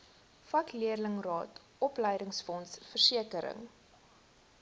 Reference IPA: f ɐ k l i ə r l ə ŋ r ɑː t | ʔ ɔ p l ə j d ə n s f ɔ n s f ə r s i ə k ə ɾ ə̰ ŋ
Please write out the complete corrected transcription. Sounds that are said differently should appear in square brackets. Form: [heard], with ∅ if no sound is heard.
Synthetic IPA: f ɐ k l i ə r l ə ŋ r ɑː t | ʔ ɔ p l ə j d ə [ŋ] s f ɔ n s f ə r s i ə k ə ɾ ə̰ ŋ